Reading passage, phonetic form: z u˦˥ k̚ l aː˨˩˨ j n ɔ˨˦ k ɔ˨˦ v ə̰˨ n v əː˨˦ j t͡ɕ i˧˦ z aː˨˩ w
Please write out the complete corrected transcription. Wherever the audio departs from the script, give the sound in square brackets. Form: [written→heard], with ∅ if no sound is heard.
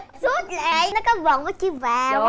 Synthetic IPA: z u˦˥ [k̚→t̚] l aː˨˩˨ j n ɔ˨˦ k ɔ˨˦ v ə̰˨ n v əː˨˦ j t͡ɕ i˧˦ [z→v] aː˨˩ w